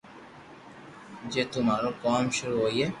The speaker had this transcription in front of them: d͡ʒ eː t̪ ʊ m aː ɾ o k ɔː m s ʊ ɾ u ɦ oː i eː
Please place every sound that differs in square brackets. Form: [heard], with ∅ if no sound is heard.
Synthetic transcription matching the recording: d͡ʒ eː t̪ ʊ m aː ɾ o k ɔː m [ʃ] ʊ ɾ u ɦ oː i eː